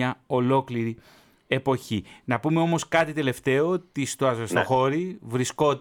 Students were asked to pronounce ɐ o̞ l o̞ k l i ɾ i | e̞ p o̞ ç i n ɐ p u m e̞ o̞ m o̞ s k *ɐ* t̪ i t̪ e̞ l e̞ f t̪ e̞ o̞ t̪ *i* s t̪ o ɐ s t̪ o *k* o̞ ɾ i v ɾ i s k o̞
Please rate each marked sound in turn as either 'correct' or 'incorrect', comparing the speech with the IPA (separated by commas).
correct, correct, incorrect